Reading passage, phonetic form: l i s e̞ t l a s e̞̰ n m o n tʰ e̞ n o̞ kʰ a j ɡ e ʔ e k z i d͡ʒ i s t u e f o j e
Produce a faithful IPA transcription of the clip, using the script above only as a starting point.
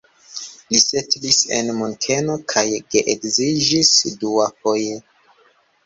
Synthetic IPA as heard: l i s e̞ t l i s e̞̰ n m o n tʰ e̞ n o̞ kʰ a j ɡ e ʔ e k z i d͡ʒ i s d u a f o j e